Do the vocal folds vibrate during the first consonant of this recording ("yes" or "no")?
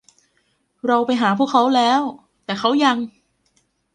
yes